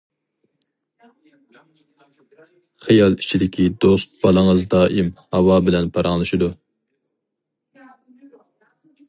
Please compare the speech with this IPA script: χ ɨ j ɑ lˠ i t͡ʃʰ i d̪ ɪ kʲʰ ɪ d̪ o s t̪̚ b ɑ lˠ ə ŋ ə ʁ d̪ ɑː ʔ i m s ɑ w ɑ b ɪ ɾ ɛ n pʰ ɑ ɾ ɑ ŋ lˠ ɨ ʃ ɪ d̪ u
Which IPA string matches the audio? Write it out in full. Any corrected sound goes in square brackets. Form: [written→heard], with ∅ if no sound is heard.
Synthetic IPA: χ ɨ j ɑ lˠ i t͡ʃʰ i d̪ ɪ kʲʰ [ɪ→i] d̪ o s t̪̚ b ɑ lˠ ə ŋ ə [ʁ→z] d̪ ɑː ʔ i m [s→h] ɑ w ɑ b ɪ [ɾ→l] ɛ n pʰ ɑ ɾ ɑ ŋ lˠ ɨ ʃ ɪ d̪ u

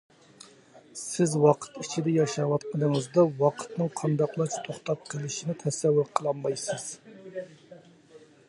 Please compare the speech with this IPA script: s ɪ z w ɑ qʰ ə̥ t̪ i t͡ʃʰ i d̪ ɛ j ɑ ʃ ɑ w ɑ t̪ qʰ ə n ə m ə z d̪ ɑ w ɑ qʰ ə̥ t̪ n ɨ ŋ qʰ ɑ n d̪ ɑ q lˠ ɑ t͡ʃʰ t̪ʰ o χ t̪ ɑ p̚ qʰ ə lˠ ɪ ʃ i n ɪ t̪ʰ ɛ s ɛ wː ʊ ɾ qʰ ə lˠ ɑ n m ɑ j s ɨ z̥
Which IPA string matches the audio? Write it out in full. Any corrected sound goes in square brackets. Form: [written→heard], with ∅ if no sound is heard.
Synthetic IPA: s ɪ z w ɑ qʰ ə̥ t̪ i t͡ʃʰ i d̪ ɛ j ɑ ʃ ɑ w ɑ t̪ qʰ ə n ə [m→ŋ] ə z d̪ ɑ w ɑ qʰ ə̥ t̪ n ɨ ŋ qʰ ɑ n d̪ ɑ q lˠ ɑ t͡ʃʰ t̪ʰ o χ t̪ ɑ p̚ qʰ ə lˠ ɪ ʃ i n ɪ t̪ʰ ɛ s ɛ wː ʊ ɾ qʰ ə lˠ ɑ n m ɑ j s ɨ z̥

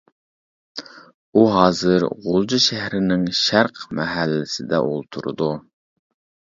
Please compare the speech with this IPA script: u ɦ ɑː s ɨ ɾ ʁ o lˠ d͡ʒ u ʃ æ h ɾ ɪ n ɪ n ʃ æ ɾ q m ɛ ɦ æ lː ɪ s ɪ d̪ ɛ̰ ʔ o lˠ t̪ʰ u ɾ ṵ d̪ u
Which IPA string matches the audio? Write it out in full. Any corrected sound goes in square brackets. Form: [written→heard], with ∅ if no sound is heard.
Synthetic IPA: u ɦ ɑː [s→z] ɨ ɾ ʁ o lˠ d͡ʒ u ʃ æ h ɾ ɪ n ɪ [n→ŋ] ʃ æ ɾ q m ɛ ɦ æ lː ɪ s ɪ d̪ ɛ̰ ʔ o lˠ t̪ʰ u ɾ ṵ d̪ u

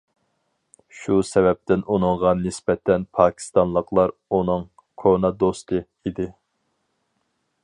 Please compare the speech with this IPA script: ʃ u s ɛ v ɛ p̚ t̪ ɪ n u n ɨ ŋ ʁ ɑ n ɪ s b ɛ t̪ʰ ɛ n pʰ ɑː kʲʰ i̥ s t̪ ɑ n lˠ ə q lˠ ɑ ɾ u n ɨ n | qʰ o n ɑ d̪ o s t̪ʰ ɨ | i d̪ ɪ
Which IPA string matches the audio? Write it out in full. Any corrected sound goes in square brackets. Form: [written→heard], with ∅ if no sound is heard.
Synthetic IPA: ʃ u s ɛ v ɛ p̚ t̪ ɪ n u n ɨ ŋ ʁ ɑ n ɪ s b ɛ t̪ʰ ɛ n pʰ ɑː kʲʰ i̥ s t̪ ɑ n lˠ ə q lˠ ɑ ɾ u n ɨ [n→ŋ] | [qʰ→kʰ] o n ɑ d̪ o s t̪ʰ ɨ | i d̪ ɪ

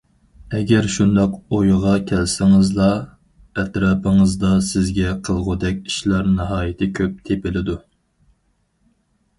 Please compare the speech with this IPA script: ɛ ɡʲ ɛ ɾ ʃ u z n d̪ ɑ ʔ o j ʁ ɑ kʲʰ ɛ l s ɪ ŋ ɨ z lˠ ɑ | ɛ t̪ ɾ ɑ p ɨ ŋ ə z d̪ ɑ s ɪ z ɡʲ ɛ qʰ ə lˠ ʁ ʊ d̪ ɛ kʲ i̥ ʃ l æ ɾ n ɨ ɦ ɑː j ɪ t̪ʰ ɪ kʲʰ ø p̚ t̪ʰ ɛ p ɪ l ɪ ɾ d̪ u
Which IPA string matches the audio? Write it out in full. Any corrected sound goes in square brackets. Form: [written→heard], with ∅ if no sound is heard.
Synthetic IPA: ɛ ɡʲ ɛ ɾ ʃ u [z→∅] n d̪ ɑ [ʔ→q] o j ʁ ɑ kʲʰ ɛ l s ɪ ŋ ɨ z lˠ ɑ | ɛ t̪ ɾ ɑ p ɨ ŋ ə z d̪ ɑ s ɪ z ɡʲ ɛ qʰ ə lˠ ʁ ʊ d̪ ɛ kʲ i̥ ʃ l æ ɾ n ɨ ɦ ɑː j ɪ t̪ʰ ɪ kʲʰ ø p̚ t̪ʰ [ɛ→e] p ɪ l ɪ [ɾ→∅] d̪ u

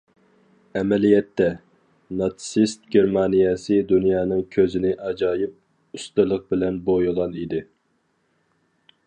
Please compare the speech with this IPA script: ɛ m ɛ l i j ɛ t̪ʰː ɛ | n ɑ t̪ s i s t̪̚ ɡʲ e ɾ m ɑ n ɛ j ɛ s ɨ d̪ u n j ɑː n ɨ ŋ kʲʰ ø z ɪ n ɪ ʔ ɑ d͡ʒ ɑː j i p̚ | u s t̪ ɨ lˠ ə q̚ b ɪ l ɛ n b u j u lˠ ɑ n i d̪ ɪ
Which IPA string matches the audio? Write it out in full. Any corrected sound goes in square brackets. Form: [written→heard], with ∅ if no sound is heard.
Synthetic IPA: ɛ m ɛ l i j ɛ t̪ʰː ɛ | n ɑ t̪ s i s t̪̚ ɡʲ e ɾ m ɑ n [ɛ→i] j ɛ s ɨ d̪ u n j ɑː n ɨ ŋ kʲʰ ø z ɪ n ɪ ʔ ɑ d͡ʒ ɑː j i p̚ | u s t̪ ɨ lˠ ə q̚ b ɪ l ɛ n b [u→o] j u lˠ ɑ n i d̪ ɪ

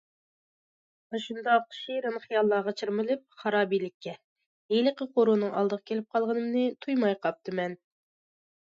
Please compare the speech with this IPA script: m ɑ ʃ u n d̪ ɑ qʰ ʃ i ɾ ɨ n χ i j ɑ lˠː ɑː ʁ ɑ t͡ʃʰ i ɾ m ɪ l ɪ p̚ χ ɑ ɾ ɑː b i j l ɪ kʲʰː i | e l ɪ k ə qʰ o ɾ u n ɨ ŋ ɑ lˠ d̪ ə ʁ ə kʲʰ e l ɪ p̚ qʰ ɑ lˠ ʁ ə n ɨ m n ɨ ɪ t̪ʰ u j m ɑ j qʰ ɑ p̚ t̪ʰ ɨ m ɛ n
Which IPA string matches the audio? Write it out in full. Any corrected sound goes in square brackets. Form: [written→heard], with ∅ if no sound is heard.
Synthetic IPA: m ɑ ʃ u n d̪ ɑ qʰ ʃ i ɾ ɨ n χ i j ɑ lˠː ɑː ʁ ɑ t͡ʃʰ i ɾ m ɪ l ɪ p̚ χ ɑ ɾ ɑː b i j l ɪ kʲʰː [i→ɛ] | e l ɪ [k→q] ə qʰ o ɾ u n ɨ ŋ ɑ lˠ d̪ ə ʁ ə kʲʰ e l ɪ p̚ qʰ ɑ lˠ ʁ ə n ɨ m n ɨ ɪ t̪ʰ u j m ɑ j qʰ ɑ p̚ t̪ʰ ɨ m ɛ n

